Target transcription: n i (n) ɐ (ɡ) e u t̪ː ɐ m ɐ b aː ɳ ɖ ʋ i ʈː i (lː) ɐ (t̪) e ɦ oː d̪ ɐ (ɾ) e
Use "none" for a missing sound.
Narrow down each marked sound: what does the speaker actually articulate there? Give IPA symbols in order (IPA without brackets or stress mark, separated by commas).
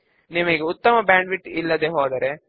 m, ɡ, lː, d̪, ɾ